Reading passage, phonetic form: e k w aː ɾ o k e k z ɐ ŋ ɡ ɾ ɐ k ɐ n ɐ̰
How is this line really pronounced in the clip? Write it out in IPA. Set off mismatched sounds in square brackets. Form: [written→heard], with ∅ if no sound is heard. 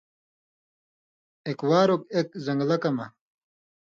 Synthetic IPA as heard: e k w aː ɾ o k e k z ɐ ŋ ɡ [ɾ→l] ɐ k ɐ [n→m] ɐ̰